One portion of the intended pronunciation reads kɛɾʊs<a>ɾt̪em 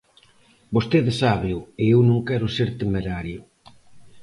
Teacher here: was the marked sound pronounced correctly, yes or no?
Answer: no